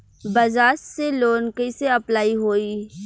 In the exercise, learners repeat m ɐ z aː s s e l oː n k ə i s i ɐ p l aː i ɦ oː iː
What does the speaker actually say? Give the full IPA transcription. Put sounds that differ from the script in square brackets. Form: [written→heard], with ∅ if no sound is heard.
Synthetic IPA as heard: [m→b] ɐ z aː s s e l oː n k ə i s [i→e] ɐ p l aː i ɦ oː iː

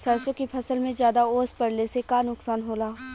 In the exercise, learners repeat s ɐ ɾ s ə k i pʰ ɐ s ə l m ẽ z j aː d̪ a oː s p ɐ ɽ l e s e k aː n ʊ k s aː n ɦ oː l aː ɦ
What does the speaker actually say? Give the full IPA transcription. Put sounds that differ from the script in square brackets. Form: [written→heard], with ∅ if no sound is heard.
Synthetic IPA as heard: s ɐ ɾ s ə k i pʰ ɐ s ə l m ẽ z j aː d̪ a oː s p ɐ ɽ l e s e k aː n ʊ k s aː n ɦ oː l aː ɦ

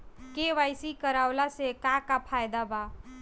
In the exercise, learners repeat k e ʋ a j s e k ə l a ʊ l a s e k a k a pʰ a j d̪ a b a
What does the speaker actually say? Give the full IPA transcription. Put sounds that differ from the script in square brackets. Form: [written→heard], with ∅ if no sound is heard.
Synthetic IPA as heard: k e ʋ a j s [e→i] k ə [l→ɾ] a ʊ l a s e k a k a pʰ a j d̪ a b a

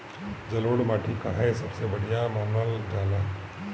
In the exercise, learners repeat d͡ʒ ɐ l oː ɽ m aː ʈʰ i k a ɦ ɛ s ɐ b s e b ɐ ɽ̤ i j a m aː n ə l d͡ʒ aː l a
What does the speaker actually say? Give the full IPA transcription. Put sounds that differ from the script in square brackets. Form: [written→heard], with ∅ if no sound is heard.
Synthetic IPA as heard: d͡ʒ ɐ l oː ɽ m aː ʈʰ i k a ɦ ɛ s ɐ b s e b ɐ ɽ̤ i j a m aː n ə l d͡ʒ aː l a

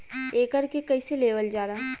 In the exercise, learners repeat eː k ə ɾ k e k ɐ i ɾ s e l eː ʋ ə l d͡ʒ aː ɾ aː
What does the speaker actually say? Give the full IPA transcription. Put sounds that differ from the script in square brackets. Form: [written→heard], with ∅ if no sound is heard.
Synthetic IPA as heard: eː k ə ɾ k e k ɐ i [ɾ→∅] s e l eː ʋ ə l d͡ʒ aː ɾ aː

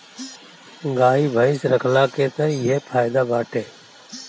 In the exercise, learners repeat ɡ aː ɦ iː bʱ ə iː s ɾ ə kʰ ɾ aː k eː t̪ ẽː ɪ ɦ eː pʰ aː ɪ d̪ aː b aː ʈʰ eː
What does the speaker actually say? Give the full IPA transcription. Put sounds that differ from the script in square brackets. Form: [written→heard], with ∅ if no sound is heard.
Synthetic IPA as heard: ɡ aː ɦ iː bʱ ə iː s ɾ ə kʰ [ɾ→l] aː k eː t̪ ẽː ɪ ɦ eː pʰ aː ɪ d̪ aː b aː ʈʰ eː

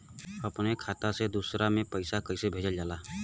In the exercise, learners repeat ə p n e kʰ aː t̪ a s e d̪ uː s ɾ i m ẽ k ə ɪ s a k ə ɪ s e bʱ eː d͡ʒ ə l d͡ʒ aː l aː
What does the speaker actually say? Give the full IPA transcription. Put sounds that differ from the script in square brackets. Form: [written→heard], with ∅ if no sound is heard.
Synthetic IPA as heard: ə p n e kʰ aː t̪ a s e d̪ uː s ɾ [i→a] m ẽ [k→p] ə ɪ s a k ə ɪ s e bʱ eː d͡ʒ ə l d͡ʒ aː l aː

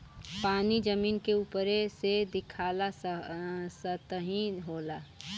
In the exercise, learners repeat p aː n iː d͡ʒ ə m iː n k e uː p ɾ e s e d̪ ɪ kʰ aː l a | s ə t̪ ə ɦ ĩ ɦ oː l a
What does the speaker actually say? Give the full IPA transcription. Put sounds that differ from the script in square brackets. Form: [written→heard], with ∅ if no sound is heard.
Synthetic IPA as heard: p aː n [iː→i] d͡ʒ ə m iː n k e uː p ɾ e s e d̪ ɪ kʰ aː l a | s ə t̪ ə ɦ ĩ ɦ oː l a

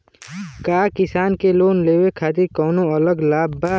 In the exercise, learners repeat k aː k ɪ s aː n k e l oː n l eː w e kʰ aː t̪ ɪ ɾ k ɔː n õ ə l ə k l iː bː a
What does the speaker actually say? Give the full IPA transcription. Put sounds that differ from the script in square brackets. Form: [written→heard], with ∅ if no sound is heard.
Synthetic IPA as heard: k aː k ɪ s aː n k e l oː n l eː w e kʰ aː t̪ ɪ ɾ k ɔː n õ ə l ə [k→ɡ] l [iː→aː] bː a

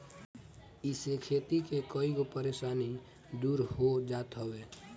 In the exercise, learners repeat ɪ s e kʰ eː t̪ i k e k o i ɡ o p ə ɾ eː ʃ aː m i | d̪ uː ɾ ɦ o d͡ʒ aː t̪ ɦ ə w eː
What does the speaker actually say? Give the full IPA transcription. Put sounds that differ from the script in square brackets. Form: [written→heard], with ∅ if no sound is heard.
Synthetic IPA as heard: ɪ s e kʰ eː t̪ i k e k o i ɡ o p ə ɾ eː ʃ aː [m→n] i | d̪ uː ɾ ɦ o d͡ʒ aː t̪ ɦ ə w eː

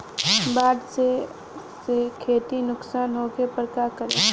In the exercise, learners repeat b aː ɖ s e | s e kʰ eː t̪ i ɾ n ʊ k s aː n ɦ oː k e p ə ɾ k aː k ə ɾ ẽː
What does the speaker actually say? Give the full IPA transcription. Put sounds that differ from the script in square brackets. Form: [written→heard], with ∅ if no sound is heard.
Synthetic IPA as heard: b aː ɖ s e | s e kʰ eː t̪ i [ɾ→∅] n ʊ k s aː n ɦ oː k e p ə ɾ k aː k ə ɾ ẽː

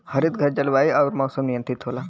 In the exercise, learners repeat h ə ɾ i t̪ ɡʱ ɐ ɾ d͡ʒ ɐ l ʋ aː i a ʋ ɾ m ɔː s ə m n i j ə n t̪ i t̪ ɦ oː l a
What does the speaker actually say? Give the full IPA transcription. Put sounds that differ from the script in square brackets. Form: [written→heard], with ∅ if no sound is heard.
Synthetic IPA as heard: h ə ɾ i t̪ ɡʱ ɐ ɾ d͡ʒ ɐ l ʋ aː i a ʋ ɾ m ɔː s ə m n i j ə n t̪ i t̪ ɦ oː l a

